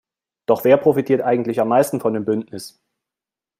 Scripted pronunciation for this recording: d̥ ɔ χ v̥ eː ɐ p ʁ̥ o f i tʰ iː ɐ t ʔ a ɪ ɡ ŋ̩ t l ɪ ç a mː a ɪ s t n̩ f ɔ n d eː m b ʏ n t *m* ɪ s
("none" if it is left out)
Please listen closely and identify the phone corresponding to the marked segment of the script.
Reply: n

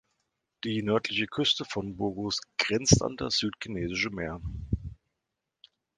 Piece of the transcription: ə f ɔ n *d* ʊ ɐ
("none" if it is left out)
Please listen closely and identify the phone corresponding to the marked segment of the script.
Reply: b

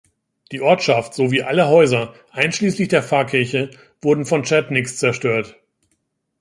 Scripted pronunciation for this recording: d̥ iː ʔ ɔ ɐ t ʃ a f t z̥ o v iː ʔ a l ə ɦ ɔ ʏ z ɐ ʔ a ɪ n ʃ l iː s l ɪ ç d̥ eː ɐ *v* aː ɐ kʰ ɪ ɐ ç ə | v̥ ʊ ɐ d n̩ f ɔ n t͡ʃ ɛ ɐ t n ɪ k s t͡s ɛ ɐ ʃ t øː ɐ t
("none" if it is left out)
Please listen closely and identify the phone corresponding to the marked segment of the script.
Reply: f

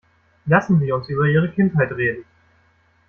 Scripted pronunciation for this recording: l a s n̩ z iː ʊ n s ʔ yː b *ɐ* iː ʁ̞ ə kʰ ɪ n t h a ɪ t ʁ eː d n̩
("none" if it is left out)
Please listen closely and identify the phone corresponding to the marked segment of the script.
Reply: ɐ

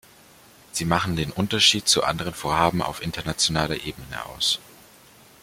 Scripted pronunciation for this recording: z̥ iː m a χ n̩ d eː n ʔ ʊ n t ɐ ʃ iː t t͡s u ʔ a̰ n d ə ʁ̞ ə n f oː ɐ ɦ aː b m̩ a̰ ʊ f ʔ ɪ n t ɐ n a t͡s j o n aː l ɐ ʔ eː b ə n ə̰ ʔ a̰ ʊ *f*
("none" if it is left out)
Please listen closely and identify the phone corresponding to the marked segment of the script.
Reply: s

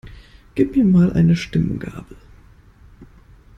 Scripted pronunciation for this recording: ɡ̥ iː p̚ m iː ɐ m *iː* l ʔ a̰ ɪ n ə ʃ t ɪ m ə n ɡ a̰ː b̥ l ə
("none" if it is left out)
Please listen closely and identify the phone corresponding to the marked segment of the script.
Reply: aː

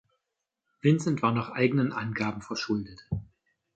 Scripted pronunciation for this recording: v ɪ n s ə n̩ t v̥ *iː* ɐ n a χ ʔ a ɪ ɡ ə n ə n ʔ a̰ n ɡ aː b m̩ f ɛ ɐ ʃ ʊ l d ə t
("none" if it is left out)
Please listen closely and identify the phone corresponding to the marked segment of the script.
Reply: aː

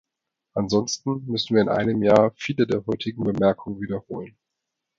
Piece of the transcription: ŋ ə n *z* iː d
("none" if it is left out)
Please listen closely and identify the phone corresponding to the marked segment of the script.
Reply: v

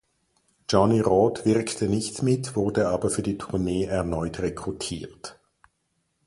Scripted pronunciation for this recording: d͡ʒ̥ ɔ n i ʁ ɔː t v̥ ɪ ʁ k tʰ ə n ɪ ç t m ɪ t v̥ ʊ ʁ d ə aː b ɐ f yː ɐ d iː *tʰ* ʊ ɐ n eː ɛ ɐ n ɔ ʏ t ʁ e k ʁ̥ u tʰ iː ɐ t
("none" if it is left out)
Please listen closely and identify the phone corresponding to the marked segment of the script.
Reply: tʰ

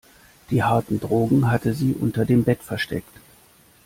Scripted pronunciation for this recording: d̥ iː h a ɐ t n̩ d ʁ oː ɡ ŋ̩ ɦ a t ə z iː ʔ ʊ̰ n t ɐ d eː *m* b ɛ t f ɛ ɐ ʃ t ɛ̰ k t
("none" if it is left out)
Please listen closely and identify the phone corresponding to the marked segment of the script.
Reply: m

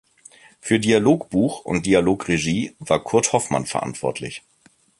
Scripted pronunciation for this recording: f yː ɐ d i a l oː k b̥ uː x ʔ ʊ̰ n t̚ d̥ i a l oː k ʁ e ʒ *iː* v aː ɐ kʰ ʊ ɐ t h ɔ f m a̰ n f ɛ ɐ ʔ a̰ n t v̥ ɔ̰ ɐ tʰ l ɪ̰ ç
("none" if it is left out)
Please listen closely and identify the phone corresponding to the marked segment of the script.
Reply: iː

